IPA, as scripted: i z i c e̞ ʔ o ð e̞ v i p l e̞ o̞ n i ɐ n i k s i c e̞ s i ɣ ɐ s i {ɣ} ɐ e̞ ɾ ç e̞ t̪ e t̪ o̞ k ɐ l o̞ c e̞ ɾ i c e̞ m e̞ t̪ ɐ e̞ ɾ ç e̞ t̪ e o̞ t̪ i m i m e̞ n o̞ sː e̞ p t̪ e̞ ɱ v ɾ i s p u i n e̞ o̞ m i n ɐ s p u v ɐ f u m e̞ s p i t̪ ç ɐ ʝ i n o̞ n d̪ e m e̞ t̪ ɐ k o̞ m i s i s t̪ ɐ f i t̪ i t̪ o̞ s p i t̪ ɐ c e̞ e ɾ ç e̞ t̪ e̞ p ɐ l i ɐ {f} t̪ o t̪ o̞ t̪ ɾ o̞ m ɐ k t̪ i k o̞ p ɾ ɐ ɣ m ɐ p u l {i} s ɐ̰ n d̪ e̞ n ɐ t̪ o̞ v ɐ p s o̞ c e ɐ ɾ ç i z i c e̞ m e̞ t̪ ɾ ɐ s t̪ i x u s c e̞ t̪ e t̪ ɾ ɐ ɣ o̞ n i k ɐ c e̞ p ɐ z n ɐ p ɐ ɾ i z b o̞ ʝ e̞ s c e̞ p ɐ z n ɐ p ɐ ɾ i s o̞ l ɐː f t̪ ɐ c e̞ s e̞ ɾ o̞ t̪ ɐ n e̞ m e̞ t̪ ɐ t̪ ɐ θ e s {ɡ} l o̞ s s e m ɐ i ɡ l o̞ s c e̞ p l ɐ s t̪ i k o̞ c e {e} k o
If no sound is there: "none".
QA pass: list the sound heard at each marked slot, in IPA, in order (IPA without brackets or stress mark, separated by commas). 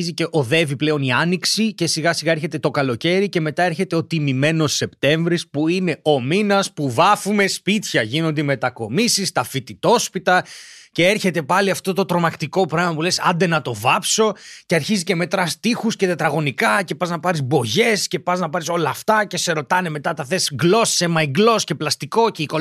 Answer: ɣ, f, e, ɡ, i